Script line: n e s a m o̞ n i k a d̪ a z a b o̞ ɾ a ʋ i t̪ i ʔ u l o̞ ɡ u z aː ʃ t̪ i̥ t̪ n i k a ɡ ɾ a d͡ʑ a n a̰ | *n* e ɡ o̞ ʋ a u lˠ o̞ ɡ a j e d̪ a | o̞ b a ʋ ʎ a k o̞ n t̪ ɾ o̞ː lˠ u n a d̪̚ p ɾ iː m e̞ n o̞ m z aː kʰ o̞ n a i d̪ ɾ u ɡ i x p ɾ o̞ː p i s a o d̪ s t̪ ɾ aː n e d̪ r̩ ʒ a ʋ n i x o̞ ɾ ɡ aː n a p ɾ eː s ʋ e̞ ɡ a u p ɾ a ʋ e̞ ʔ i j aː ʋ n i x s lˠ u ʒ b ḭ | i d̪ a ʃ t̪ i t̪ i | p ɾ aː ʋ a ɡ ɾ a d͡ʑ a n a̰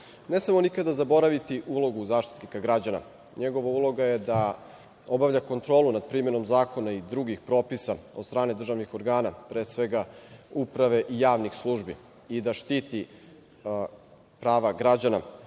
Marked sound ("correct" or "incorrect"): incorrect